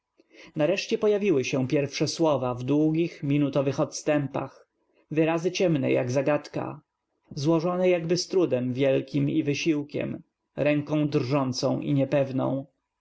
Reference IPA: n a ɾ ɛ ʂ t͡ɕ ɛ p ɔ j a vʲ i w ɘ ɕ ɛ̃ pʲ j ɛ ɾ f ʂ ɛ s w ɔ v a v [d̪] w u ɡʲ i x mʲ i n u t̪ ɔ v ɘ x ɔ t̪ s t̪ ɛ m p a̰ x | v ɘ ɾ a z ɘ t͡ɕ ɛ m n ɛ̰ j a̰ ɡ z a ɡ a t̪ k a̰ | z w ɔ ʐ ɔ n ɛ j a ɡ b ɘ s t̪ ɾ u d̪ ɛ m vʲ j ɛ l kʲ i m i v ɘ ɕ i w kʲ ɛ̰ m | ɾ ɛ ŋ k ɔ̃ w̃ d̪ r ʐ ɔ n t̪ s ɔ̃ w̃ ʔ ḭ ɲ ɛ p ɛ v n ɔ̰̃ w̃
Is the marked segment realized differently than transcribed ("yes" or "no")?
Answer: no